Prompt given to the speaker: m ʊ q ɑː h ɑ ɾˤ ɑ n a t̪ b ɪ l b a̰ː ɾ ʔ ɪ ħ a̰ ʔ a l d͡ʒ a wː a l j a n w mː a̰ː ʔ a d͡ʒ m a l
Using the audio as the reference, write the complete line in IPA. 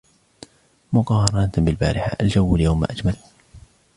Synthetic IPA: m ʊ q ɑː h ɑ ɾˤ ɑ n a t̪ b ɪ l b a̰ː ɾ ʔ ɪ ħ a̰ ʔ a l d͡ʒ a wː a l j a w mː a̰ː ʔ a d͡ʒ m a l